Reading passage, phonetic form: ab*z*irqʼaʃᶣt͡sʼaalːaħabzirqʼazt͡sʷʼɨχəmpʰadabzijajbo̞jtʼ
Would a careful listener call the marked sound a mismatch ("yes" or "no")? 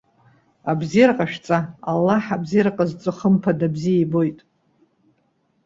no